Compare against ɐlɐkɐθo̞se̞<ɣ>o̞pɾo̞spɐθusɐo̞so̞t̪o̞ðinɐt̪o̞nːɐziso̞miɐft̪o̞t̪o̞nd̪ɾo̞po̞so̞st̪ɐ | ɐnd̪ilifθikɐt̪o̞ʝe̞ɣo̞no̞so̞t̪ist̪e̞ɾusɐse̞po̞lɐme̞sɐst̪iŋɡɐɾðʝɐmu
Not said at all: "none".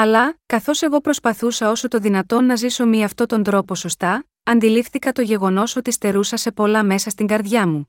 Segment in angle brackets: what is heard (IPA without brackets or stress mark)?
ɣ